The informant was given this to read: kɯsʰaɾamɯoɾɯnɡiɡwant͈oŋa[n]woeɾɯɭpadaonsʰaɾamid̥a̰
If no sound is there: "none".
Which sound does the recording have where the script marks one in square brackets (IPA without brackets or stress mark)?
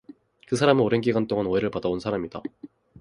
n